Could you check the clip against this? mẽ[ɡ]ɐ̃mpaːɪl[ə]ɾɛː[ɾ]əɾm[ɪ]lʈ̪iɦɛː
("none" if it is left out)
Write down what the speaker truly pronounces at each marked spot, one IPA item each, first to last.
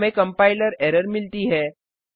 k, ə, ɾ, ɪ

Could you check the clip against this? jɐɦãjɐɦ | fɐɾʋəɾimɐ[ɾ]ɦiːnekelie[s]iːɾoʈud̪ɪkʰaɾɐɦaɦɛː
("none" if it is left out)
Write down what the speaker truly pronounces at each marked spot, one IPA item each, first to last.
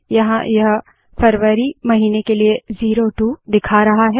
none, z

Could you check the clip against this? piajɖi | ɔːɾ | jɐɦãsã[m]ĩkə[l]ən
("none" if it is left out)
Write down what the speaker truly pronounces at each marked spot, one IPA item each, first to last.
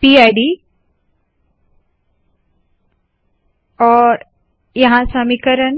m, ɾ

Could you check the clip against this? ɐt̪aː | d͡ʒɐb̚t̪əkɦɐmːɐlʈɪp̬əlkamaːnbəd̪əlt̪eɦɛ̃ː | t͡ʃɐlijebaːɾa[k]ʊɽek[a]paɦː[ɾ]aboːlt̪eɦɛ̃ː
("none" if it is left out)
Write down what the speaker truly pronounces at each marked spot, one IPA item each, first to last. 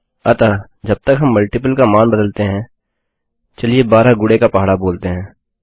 ɡ, a, ɽ

